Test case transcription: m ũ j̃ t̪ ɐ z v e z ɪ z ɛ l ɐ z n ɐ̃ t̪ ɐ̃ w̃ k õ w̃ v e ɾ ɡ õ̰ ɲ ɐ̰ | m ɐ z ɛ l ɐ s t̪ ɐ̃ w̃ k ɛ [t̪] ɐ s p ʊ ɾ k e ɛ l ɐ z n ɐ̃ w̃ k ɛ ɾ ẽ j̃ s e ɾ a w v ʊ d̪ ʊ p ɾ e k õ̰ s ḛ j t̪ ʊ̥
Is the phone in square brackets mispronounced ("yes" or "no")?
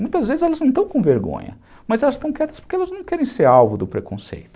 no